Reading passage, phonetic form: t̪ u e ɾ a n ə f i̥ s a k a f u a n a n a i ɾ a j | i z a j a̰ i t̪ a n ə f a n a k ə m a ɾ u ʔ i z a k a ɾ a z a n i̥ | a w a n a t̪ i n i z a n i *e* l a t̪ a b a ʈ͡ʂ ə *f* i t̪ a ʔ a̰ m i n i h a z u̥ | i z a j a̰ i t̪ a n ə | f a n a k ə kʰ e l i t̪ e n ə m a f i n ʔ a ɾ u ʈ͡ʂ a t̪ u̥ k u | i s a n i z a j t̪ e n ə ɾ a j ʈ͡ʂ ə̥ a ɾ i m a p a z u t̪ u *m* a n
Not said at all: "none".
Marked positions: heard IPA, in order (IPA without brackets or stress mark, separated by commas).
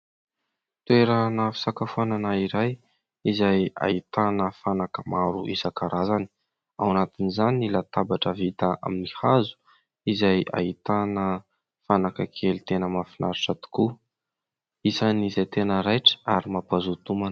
i, v, m